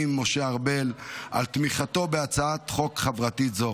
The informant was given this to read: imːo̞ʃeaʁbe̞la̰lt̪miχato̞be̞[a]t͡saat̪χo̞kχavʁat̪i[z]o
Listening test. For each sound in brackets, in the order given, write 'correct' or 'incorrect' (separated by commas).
correct, correct